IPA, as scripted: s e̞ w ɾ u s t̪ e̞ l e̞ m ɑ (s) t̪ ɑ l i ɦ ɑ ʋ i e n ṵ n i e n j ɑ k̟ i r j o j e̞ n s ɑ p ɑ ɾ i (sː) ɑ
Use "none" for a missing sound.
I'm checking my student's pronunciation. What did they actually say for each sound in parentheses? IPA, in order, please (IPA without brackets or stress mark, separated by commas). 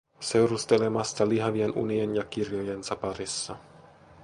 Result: s, sː